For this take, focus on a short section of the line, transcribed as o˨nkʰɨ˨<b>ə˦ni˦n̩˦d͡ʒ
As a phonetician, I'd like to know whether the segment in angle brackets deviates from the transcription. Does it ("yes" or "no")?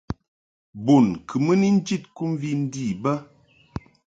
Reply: yes